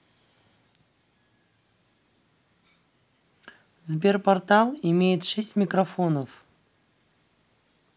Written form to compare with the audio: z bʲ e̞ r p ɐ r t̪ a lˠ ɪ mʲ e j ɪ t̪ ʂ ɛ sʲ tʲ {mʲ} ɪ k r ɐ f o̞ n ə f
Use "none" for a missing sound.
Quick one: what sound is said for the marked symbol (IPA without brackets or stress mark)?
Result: mʲ